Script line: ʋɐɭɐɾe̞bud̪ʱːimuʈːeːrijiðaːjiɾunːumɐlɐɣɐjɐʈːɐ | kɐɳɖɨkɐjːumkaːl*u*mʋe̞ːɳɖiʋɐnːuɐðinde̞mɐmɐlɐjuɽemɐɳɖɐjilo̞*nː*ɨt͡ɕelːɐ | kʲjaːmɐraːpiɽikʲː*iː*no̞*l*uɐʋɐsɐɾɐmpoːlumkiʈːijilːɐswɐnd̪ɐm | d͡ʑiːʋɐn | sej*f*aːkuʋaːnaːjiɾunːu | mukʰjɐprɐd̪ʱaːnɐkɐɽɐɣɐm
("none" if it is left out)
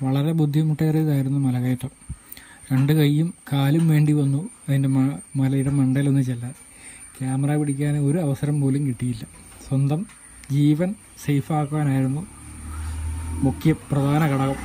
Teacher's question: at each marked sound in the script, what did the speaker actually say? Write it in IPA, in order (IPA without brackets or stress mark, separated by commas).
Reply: u, nː, aː, ɾ, f